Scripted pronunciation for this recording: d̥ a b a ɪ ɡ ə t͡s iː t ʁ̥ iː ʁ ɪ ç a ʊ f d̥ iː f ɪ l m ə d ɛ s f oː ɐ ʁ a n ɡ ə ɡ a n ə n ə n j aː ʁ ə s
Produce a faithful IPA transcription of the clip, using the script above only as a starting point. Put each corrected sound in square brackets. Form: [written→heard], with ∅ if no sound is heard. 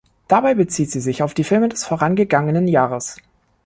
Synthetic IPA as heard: d̥ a b a ɪ [ɡ→b] ə t͡s iː t [ʁ̥→z̥] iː [ʁ→z] ɪ ç a ʊ f d̥ iː f ɪ l m ə d ɛ s f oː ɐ ʁ a n ɡ ə ɡ a [n→ŋ] ə n ə n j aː ʁ ə s